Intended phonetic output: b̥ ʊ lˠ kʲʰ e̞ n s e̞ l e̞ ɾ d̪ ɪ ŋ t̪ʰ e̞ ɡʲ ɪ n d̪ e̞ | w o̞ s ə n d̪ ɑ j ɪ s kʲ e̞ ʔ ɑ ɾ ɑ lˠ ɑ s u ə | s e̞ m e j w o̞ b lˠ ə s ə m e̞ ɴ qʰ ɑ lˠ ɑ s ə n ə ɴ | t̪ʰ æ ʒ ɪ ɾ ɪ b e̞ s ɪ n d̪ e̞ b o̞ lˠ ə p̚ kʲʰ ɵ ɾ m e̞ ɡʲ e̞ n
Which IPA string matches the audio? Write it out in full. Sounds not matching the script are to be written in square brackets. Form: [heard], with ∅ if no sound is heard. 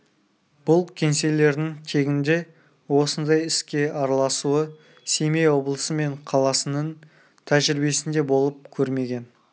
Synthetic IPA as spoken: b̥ ʊ lˠ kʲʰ e̞ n s e̞ l e̞ ɾ d̪ ɪ ŋ t̪ʰ e̞ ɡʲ ɪ n d̪ e̞ | w o̞ s ə n d̪ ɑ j ɪ s kʲ e̞ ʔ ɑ ɾ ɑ lˠ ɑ s u ə | s e̞ m e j w o̞ b lˠ ə s ə m e̞ ɴ qʰ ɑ lˠ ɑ s ə n ə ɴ | t̪ʰ æ ʒ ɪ ɾ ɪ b e̞ s ɪ n d̪ e̞ b o̞ lˠ ə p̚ kʲʰ ɵ ɾ m e̞ ɡʲ e̞ n